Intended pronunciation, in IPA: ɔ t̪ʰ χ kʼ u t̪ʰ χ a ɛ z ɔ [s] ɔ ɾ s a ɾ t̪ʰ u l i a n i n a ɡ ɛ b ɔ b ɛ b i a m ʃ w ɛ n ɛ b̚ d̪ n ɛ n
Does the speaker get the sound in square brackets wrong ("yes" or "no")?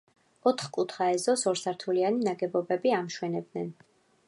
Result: no